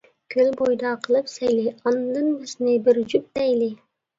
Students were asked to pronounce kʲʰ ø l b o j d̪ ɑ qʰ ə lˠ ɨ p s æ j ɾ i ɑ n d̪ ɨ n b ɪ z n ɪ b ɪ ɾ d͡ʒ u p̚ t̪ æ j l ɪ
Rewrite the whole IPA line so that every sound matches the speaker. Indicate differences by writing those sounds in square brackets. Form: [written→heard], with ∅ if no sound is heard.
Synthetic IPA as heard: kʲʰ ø l b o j d̪ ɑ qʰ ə lˠ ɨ p s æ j [ɾ→l] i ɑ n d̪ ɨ n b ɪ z n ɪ b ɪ ɾ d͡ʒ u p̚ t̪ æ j l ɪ